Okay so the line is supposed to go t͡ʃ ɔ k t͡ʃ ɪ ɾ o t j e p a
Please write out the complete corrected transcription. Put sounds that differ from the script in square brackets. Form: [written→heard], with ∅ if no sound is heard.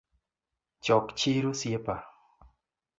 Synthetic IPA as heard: t͡ʃ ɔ k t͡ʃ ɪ ɾ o [t→s] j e p a